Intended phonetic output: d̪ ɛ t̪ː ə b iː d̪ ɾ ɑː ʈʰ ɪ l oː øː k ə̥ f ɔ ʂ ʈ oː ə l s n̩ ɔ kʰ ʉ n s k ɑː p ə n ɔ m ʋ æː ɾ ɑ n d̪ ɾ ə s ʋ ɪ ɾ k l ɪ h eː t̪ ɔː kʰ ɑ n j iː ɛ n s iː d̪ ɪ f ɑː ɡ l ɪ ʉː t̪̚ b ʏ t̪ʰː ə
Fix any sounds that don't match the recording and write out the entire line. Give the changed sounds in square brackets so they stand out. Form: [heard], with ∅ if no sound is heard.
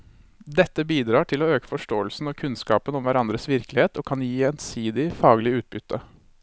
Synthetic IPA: d̪ ɛ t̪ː ə b iː d̪ ɾ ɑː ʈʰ ɪ l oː øː k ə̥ f ɔ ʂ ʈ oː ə l s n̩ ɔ kʰ ʉ n s k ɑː p ə n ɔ m ʋ [æ] ɾ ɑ n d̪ ɾ ə s ʋ ɪ ɾ k l ɪ h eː t̪ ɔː kʰ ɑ n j iː ɛ n s iː d̪ ɪ f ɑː ɡ l ɪ ʉː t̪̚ b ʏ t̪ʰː ə